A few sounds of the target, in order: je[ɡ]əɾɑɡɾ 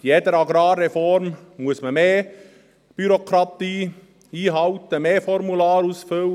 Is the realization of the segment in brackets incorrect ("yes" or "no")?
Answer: yes